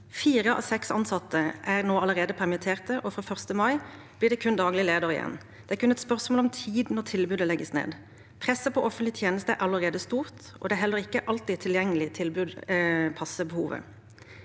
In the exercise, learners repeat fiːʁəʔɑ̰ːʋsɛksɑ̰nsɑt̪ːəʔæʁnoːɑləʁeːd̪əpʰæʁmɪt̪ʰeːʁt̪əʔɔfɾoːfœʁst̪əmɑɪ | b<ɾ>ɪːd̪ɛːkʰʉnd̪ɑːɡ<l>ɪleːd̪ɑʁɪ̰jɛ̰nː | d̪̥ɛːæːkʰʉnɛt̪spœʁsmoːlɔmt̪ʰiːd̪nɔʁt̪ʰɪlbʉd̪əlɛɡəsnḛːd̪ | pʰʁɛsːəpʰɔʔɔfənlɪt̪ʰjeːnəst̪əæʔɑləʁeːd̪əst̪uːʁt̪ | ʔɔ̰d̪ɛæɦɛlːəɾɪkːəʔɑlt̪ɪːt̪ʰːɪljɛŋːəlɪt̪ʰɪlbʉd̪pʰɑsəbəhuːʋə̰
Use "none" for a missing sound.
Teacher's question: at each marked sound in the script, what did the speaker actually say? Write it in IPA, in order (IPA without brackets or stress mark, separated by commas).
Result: l, l